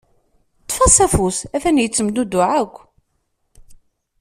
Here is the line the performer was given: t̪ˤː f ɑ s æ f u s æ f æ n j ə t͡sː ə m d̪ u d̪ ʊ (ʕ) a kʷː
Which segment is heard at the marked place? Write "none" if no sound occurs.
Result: ʕ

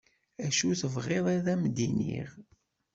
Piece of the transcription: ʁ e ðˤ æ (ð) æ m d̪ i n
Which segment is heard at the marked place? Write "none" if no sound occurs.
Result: ð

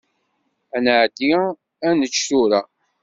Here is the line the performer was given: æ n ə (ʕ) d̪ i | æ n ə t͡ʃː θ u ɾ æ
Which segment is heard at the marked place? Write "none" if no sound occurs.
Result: ʕ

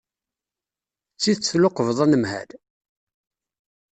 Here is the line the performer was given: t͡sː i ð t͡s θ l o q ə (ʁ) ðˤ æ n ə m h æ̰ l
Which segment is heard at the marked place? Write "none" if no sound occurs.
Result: v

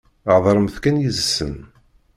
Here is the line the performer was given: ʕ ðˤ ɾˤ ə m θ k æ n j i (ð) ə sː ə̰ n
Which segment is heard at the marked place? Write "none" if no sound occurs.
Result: z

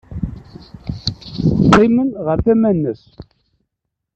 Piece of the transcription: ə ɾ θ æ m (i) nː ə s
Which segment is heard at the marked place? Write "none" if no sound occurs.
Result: æ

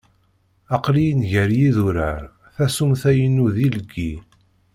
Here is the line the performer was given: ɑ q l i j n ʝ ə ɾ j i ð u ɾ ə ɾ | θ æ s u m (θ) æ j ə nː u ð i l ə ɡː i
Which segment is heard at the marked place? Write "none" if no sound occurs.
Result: θ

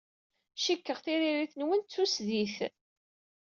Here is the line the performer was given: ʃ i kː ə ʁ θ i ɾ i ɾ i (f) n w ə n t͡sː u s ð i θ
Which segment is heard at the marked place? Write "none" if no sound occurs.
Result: θ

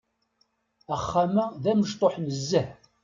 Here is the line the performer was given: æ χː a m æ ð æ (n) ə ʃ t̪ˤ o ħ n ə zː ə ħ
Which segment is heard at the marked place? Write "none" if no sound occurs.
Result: m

